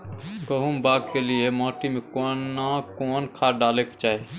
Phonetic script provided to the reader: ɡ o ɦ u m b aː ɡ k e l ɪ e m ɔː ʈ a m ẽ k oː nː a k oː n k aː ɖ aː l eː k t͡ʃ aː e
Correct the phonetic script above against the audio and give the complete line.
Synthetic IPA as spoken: ɡ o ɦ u m b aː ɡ k e l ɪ e m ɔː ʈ i m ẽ k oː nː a k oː n kʰ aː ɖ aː l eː k t͡ʃ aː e